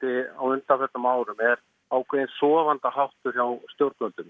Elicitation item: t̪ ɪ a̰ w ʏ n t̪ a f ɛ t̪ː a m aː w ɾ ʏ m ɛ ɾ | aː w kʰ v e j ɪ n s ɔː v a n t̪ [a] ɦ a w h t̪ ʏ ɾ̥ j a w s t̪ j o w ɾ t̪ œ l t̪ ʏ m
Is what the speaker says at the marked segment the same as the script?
yes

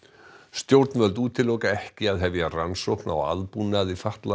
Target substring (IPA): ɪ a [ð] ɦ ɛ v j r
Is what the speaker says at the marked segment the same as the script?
yes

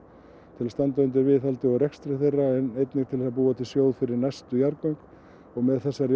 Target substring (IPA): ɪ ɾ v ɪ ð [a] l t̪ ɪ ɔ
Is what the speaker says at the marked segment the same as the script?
yes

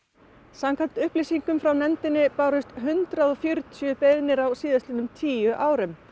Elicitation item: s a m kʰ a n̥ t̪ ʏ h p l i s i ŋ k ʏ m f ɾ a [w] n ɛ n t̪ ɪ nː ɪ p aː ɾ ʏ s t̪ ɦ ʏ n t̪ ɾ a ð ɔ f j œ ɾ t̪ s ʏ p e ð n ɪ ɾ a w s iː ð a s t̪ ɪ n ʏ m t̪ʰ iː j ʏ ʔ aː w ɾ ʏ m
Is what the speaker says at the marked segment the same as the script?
yes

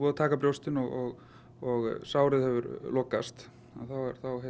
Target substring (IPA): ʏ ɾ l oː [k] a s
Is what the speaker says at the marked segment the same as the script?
yes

